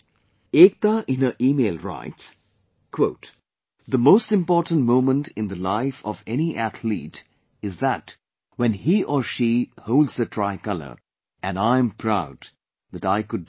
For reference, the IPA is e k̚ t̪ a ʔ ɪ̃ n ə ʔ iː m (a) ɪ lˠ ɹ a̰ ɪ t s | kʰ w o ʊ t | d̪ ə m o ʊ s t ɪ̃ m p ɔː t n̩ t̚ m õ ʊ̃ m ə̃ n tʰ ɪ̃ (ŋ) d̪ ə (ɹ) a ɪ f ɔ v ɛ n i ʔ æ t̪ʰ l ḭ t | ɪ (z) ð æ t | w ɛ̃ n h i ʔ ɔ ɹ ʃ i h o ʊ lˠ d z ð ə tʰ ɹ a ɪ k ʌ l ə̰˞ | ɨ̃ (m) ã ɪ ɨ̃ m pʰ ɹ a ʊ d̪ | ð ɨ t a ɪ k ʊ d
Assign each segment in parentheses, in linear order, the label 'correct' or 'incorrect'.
incorrect: e, incorrect: n, incorrect: l, correct, incorrect: n

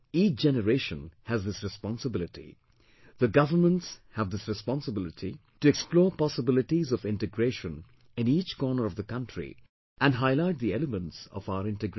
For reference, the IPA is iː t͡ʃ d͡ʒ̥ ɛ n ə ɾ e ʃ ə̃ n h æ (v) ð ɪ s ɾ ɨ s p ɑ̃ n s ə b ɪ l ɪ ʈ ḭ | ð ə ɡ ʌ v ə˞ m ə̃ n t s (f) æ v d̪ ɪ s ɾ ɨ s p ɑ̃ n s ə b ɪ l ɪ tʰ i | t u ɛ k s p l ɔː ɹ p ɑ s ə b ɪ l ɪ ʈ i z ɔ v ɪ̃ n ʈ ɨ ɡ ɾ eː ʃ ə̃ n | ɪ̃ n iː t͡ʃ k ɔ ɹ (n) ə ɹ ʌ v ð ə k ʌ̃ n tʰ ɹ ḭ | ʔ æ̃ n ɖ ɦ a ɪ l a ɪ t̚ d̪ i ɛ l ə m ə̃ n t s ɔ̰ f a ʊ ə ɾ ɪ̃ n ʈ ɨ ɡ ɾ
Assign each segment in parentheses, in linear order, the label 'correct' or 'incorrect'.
incorrect: z, incorrect: h, correct

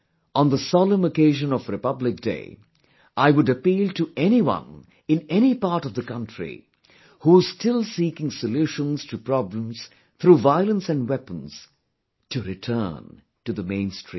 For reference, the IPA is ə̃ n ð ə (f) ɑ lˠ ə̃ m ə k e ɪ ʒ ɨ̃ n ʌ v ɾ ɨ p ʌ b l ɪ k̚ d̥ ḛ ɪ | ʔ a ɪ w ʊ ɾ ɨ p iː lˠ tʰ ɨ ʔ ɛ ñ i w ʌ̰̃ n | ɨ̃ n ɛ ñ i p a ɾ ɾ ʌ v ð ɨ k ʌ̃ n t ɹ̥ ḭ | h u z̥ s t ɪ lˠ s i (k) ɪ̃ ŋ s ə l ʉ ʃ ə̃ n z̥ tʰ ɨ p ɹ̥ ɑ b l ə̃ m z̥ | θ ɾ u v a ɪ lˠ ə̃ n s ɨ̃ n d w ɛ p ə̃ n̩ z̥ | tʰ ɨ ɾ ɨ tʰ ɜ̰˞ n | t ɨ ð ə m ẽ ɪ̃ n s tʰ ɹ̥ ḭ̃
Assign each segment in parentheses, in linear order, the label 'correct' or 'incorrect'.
incorrect: s, correct

